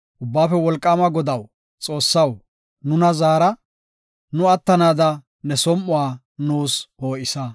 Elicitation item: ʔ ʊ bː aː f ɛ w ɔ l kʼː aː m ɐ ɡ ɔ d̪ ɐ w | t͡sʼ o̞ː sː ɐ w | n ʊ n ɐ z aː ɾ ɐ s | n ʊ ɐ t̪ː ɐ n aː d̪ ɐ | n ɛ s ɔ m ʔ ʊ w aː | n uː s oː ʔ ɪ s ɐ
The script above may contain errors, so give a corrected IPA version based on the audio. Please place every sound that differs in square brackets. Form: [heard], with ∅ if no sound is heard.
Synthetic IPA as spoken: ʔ ʊ bː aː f ɛ w ɔ l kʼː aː m ɐ ɡ ɔ d̪ ɐ w | t͡sʼ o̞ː sː ɐ w | n ʊ n ɐ z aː ɾ ɐ [∅] | n ʊ ɐ t̪ː ɐ n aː d̪ ɐ | n ɛ s ɔ m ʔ ʊ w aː | n uː s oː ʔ ɪ s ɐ

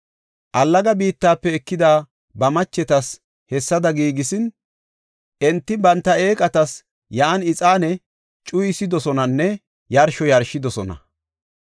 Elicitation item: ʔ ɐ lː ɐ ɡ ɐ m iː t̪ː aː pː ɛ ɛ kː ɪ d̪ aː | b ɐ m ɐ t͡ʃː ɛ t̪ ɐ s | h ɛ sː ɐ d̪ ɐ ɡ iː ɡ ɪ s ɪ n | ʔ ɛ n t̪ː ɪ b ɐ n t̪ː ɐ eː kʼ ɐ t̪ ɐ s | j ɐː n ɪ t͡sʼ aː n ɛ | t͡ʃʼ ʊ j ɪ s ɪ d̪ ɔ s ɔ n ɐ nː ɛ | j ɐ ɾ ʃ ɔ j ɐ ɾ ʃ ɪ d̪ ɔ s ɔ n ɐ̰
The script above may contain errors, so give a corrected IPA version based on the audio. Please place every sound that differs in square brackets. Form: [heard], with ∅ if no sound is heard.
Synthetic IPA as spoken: ʔ ɐ lː ɐ ɡ ɐ [b] iː t̪ː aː pː ɛ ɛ kː ɪ d̪ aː | b ɐ m ɐ t͡ʃː ɛ t̪ ɐ s | h ɛ sː ɐ d̪ ɐ ɡ iː ɡ ɪ s ɪ n | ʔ ɛ n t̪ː ɪ b ɐ n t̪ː ɐ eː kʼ ɐ t̪ ɐ s | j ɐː n ɪ t͡sʼ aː n ɛ | t͡ʃʼ ʊ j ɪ s ɪ d̪ ɔ s ɔ n ɐ nː ɛ | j ɐ ɾ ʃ ɔ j ɐ ɾ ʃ ɪ d̪ ɔ s ɔ n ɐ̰

